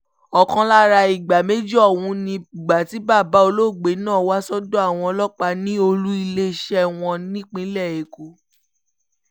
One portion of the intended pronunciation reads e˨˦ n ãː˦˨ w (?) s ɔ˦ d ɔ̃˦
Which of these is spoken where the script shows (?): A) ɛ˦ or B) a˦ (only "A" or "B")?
B